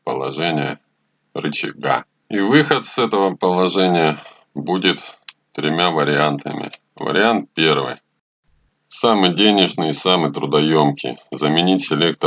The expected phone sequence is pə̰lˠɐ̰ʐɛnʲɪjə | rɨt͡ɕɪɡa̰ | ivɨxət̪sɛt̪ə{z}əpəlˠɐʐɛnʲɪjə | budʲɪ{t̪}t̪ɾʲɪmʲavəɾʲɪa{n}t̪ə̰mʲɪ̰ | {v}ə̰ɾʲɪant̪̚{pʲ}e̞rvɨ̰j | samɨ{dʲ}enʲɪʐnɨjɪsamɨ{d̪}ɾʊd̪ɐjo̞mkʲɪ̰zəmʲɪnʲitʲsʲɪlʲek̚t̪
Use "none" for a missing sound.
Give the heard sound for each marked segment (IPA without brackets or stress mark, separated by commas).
v, t̪, n, v, pʲ, dʲ, t̪